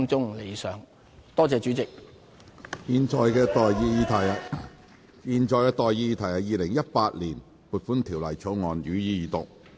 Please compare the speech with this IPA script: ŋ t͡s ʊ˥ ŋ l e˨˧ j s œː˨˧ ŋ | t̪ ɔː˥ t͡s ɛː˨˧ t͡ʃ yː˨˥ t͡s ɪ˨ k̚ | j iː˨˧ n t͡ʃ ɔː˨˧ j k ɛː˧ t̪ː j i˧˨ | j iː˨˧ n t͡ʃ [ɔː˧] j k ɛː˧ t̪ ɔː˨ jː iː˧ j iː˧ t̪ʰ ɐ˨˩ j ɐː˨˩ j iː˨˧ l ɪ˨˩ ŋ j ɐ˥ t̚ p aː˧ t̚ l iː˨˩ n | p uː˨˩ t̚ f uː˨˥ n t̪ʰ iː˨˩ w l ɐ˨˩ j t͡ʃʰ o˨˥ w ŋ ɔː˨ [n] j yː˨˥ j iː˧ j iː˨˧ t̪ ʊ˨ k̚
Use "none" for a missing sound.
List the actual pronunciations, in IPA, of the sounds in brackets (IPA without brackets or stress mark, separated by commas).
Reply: ɔː˧, n